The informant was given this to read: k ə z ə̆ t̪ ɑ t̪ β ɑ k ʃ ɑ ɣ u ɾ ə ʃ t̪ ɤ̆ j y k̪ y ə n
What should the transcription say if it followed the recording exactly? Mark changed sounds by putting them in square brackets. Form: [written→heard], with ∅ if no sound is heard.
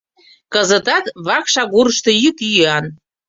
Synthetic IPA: k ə z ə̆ t̪ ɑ t̪ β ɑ k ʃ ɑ ɣ u ɾ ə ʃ t̪ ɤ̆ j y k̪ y [ə→ɑ] n